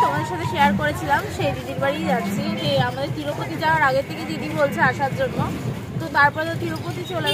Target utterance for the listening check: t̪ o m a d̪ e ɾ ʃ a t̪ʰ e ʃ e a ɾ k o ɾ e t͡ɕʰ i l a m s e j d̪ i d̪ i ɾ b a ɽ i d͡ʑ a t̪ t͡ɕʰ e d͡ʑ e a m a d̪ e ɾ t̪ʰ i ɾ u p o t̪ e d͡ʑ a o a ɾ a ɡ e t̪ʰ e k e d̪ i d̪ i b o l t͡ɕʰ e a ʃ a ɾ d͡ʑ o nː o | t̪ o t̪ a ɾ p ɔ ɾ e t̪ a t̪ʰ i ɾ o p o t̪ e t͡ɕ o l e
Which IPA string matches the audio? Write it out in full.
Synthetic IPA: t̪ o m a d̪ e ɾ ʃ a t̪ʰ e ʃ e a ɾ k o ɾ e t͡ɕʰ i l a m ʃ e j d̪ i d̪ i ɾ b a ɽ i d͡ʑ a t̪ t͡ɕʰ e d͡ʑ e a m a d̪ e ɾ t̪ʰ i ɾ o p o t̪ i d͡ʑ a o a ɾ a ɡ e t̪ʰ e k e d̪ i d̪ i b o l t͡ɕʰ e a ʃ a ɾ d͡ʑ o nː o | t̪ o t̪ a ɾ p ɔ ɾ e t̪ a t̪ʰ i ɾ o p o t̪ i t͡ɕ o l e

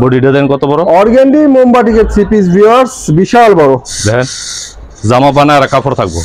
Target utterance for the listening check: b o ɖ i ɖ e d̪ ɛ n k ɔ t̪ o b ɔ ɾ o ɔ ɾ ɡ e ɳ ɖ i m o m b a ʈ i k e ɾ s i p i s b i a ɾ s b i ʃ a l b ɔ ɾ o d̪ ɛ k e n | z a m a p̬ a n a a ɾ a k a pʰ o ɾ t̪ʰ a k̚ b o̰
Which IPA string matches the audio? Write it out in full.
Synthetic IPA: b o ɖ i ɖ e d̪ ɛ n k ɔ t̪ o b ɔ ɾ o ɔ ɾ ɡ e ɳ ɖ i m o m b a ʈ i k e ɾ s i p i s b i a ɾ s b i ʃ a l b ɔ ɾ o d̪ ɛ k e n | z a m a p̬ a n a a ɾ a k a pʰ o ɾ t̪ʰ a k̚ b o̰

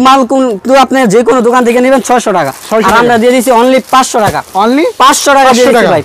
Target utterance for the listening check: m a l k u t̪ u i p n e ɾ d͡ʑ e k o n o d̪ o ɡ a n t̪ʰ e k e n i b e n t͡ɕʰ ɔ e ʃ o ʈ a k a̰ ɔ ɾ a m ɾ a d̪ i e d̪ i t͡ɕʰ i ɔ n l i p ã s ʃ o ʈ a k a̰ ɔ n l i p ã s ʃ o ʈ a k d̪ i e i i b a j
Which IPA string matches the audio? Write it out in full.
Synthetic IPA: m a l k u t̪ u a p n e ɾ d͡ʑ e k o n o d̪ o k a n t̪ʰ e k e n i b e n t͡ɕʰ ɔ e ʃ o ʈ a k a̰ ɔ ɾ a m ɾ a d̪ i e d̪ i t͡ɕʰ i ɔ n l i p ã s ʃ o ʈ a k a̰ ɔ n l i p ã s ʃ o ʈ a k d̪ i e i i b a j

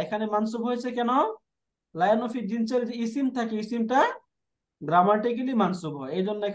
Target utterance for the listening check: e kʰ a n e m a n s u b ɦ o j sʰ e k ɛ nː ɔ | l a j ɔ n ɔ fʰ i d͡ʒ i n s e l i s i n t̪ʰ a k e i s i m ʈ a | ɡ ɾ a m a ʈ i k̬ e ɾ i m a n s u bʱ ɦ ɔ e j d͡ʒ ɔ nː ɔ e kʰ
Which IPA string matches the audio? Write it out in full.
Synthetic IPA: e kʰ a n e m a n s u b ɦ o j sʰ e k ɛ n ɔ | l a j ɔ n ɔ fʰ i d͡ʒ i n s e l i s i m t̪ʰ a k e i s i m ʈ a | ɡ ɾ a m a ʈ i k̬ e l i m a n s u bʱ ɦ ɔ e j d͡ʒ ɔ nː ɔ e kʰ

